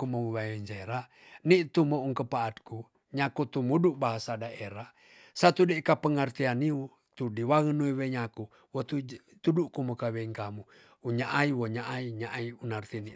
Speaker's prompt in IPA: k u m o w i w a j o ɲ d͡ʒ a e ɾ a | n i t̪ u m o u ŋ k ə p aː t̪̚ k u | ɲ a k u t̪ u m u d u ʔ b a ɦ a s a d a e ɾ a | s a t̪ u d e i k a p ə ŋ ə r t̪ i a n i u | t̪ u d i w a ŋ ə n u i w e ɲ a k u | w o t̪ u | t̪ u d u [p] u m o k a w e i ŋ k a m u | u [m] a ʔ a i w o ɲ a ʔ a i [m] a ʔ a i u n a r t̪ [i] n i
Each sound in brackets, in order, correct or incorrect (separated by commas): incorrect, incorrect, incorrect, correct